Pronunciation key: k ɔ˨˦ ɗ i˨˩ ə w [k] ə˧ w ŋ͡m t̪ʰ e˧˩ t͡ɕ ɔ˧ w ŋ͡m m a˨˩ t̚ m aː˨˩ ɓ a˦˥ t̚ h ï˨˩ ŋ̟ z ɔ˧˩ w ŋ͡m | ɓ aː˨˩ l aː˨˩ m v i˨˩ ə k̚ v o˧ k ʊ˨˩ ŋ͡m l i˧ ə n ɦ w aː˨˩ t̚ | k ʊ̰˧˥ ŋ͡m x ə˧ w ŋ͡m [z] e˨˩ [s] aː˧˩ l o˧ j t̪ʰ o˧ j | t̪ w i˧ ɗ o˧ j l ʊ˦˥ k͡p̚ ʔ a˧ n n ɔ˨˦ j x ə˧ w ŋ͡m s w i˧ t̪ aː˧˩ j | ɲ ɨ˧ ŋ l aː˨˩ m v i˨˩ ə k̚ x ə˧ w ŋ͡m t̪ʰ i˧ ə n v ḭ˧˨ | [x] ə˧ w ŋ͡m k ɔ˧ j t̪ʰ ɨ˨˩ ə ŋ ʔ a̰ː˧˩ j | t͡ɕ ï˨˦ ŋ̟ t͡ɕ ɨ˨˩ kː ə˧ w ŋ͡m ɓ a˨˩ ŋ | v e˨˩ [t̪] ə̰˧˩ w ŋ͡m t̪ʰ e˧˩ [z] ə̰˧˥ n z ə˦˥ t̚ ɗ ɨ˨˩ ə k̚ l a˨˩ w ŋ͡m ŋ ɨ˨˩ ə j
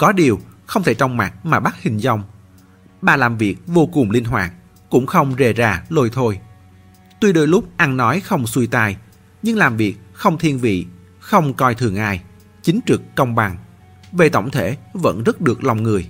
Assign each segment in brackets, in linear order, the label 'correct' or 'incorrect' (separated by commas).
incorrect, correct, incorrect, correct, correct, incorrect